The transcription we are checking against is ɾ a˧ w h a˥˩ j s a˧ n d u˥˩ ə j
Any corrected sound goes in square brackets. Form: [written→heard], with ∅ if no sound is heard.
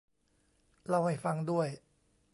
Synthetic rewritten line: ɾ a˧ w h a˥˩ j [s→f] a˧ [n→ŋ] d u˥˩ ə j